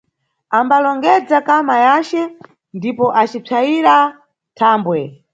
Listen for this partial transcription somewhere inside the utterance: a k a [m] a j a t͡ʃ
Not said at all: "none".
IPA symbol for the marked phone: m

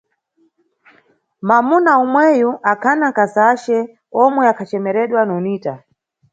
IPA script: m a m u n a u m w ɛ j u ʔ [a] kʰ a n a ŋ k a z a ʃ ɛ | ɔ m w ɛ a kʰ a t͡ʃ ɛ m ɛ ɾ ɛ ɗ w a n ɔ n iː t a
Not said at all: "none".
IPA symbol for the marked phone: a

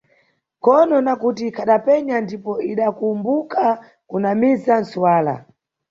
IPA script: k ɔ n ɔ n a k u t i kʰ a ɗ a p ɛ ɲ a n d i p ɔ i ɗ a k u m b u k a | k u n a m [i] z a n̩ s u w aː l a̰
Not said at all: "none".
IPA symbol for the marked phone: i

